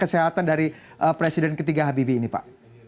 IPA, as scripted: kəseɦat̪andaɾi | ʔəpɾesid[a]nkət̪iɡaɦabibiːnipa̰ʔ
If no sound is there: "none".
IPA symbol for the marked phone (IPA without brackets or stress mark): ɛ